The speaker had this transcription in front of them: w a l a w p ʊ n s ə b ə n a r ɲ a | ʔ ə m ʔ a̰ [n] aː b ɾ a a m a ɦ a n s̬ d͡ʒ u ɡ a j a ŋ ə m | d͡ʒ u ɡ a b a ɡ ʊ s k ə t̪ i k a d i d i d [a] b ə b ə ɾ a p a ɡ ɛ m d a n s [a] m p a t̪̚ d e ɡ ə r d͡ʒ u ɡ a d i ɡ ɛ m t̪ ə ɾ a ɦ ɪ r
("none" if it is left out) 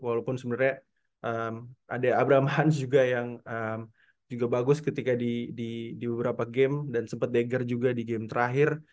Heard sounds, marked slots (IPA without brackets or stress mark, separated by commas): d, i, ə